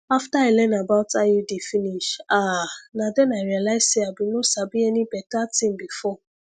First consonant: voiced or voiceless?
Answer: voiceless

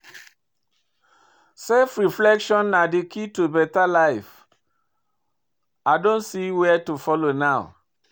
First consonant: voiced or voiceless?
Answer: voiceless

